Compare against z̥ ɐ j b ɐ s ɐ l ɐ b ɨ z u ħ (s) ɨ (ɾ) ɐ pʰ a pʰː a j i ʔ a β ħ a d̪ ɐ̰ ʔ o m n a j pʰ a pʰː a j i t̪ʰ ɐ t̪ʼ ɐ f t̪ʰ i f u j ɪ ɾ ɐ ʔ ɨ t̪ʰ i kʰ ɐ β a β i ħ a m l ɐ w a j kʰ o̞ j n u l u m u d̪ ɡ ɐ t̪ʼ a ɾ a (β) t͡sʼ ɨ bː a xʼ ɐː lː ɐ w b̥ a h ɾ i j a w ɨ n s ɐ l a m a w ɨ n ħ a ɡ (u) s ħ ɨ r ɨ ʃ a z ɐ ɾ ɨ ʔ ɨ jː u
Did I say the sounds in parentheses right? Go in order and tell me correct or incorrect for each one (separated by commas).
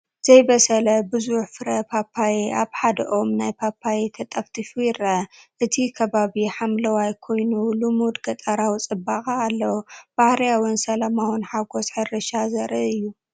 incorrect, correct, incorrect, incorrect